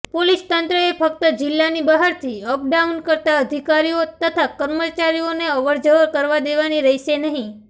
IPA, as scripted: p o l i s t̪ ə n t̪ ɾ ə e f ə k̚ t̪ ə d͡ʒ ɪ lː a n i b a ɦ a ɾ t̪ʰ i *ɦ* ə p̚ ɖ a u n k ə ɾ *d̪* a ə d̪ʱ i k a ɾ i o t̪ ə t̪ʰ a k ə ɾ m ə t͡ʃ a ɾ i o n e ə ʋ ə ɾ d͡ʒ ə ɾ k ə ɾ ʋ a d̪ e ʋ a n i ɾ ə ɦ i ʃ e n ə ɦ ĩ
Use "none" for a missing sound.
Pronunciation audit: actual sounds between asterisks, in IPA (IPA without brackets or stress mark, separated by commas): none, t̪